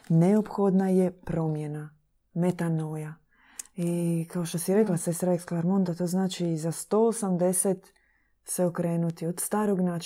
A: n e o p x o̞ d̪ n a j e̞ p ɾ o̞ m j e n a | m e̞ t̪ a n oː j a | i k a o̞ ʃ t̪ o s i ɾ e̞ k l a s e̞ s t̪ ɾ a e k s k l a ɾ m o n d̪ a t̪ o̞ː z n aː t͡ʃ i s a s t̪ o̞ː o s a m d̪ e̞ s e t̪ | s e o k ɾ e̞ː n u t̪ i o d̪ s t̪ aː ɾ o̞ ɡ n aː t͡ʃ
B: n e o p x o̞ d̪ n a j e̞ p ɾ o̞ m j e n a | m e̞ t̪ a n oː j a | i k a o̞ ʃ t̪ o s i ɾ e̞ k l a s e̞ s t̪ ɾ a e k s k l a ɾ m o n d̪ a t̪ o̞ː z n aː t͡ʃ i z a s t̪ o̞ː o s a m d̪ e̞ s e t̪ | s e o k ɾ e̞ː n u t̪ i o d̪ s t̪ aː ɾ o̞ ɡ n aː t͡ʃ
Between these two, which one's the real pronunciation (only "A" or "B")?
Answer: B